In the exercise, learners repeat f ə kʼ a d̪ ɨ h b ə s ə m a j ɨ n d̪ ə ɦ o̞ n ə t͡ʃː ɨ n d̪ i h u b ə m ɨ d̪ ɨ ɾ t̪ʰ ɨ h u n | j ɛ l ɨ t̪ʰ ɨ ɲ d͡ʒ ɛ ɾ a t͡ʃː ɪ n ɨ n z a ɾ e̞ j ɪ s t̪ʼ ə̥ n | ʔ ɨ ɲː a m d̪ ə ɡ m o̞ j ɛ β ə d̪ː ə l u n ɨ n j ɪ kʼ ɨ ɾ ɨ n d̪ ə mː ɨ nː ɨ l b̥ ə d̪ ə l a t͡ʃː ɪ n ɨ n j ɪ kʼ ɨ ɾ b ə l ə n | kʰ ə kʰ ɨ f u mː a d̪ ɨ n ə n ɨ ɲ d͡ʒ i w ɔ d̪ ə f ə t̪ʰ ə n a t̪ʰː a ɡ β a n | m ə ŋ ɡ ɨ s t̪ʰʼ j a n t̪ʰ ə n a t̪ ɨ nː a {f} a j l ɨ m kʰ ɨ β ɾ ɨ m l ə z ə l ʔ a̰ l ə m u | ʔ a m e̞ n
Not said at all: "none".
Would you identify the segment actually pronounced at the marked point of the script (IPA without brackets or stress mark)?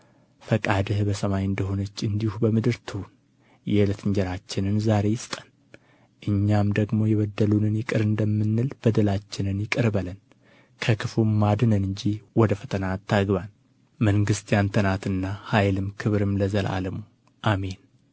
h